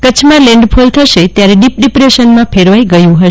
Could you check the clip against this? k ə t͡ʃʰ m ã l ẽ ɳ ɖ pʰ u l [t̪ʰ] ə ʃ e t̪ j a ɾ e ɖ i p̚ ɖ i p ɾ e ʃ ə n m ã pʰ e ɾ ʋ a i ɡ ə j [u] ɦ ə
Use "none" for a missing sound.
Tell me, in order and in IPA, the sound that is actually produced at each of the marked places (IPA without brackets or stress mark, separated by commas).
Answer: t̪ʰ, ũ